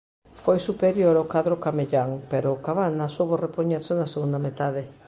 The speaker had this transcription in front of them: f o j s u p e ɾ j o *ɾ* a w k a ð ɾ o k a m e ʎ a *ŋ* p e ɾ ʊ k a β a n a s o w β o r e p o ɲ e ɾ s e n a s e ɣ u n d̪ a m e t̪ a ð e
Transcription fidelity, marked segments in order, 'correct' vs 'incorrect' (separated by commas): correct, correct